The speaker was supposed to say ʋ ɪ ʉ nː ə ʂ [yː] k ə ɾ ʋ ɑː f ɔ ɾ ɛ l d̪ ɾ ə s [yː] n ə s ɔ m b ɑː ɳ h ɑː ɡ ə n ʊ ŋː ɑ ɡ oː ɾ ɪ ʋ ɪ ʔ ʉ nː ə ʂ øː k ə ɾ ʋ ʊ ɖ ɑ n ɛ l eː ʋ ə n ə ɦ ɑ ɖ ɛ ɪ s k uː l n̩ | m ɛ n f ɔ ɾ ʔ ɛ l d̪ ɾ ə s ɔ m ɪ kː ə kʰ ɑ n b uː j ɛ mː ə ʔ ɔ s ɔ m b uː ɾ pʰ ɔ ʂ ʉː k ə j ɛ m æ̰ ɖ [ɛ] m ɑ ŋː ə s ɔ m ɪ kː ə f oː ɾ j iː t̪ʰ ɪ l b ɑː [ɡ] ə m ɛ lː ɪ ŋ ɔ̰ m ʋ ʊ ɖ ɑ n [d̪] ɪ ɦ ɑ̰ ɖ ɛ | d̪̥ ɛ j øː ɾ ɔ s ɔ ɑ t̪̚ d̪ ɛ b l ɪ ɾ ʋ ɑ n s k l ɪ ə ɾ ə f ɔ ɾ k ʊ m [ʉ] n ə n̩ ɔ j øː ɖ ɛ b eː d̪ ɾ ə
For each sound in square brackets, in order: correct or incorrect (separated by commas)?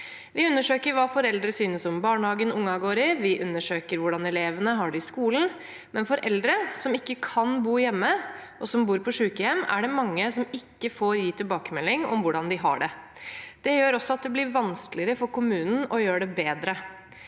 incorrect, correct, correct, incorrect, correct, incorrect